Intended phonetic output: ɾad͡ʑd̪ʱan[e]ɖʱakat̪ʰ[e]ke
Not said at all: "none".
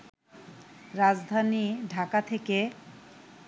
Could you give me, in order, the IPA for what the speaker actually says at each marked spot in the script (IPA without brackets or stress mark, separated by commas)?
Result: i, e